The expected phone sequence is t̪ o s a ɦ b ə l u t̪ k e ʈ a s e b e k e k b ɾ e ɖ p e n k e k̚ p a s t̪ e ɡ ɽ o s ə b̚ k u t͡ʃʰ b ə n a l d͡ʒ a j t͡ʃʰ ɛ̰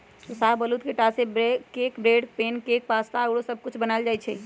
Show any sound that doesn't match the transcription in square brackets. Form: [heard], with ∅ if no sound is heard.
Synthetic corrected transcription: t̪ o s a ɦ b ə l u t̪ k e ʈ a s e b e k e k b ɾ e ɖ p e n k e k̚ p a s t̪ [a] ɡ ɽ o s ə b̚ k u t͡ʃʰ b ə n a l d͡ʒ a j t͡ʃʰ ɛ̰